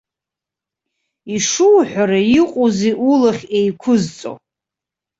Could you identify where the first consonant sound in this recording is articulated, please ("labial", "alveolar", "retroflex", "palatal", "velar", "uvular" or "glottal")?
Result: retroflex